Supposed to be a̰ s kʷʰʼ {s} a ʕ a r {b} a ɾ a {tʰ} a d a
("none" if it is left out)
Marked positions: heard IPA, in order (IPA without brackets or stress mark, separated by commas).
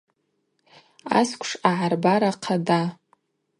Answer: ʂ, b, qʰ